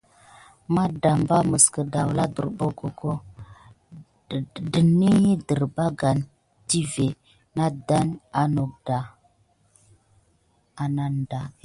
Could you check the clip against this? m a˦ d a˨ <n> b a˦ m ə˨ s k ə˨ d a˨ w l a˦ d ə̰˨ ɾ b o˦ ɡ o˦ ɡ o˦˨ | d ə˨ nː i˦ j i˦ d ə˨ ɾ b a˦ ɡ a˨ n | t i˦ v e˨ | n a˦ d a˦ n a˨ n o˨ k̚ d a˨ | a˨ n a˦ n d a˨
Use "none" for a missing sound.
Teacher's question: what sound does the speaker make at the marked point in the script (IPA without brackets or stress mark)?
m